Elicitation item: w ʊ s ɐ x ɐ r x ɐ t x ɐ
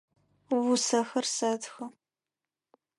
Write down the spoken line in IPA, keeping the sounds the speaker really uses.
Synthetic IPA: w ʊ s ɐ x ɐ r s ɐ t x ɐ

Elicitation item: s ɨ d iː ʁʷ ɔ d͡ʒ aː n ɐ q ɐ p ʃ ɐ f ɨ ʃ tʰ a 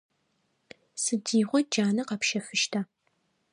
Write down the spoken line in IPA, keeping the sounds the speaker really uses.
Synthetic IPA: s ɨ d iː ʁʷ ɔ d͡ʒ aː n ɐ q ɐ p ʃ ɐ f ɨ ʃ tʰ a

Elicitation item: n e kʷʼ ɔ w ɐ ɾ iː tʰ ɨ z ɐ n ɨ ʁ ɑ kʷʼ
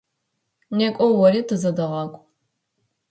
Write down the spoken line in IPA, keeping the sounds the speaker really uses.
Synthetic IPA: n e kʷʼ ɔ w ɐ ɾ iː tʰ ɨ z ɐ d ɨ ʁ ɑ kʷʼ

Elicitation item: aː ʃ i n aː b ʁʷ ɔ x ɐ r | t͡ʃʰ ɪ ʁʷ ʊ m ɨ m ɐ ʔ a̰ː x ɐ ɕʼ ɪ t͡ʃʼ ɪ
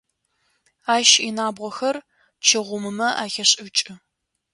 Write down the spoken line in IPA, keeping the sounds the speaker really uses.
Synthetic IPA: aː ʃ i n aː b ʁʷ ɔ x ɐ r | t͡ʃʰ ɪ ʁʷ ʊ m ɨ m ɐ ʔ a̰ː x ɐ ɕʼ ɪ t͡ʃʼ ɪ

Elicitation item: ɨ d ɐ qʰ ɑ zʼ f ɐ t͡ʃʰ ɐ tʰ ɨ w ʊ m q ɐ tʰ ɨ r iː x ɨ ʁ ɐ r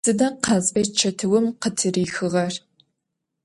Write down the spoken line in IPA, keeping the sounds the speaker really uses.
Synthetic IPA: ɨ d ɐ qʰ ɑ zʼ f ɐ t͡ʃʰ ɐ tʰ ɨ w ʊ m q ə tʰ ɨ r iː x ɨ ʁ ɐ r

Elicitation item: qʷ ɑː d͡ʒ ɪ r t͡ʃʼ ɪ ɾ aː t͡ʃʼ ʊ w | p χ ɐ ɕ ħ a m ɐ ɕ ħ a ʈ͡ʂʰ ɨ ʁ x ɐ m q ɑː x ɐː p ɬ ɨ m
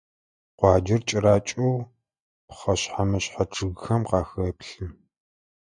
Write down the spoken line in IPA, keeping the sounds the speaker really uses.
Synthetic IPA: qʷ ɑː d͡ʒ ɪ r t͡ʃʼ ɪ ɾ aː t͡ʃʼ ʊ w | p χ ɐ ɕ ħ a m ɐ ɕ ħ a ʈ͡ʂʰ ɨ ɣ x ɐ m q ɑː x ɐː p ɬ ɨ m

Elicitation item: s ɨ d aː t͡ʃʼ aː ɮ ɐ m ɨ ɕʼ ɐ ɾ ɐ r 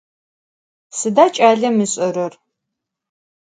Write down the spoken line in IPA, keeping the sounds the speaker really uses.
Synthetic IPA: s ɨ d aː t͡ʃʼ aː ɮ ɐ m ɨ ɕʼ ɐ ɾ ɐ r

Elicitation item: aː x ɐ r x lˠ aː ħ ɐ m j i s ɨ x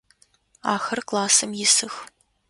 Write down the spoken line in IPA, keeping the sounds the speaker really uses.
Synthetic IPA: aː x ɐ r k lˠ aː s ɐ m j ɪ s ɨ x

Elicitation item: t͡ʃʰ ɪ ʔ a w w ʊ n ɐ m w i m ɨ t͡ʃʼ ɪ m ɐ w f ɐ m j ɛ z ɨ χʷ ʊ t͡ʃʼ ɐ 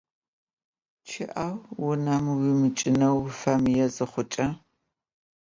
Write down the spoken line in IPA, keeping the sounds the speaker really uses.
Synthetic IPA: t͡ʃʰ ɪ ʔ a w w ʊ n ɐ m w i m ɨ t͡ʃʼ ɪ n ɐ w f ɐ m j ɛ z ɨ χʷ ʊ t͡ʃʼ ɐ

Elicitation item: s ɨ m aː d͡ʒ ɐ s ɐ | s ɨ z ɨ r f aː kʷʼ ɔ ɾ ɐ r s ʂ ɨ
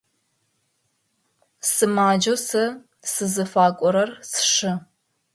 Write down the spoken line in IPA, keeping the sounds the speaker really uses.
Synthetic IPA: s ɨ m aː d͡ʒ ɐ s ɐ | s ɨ z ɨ f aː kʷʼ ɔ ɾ ɐ r s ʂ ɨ

